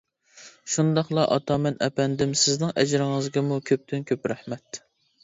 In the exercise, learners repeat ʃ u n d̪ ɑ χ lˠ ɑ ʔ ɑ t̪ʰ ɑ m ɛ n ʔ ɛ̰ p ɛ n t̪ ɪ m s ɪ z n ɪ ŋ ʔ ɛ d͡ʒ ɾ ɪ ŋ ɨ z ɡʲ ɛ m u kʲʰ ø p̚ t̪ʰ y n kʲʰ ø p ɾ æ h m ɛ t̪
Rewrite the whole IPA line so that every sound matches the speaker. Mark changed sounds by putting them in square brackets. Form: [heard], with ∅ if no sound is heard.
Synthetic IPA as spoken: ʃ u n d̪ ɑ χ lˠ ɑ ʔ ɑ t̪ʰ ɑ m ɛ n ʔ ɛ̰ p ɛ n [d̪] ɪ m s ɪ z n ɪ ŋ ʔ ɛ d͡ʒ ɾ ɪ ŋ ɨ z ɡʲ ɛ m u kʲʰ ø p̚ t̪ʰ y n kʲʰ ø p ɾ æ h m ɛ t̪